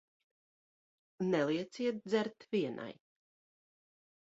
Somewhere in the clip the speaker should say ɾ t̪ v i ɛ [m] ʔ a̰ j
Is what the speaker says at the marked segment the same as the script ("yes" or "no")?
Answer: no